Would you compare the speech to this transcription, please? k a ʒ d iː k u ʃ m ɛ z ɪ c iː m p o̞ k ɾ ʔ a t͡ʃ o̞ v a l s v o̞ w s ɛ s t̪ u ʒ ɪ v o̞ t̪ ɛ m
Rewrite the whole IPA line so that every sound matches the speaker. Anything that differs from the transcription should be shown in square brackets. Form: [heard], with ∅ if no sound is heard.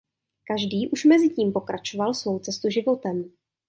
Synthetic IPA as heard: k a ʒ d iː [ʔ] u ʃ m ɛ z ɪ c iː m p o̞ k ɾ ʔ a t͡ʃ o̞ v a l s v o̞ w [t͡s] ɛ s t̪ u ʒ ɪ v o̞ t̪ ɛ m